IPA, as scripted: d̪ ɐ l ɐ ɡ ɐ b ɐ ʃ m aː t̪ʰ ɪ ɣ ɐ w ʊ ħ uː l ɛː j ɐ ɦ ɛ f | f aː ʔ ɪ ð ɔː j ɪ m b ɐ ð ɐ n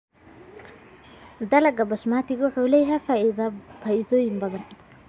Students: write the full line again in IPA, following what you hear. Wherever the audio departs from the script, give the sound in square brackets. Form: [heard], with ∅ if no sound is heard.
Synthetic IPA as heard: d̪ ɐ l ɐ ɡ ɐ b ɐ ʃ m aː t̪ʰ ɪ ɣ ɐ w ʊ ħ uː l ɛː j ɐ ɦ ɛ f | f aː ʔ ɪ ð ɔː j ɪ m b ɐ ð ɐ n